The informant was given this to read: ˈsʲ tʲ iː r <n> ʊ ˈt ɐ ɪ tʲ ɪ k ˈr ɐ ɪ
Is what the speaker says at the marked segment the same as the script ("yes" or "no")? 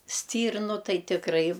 yes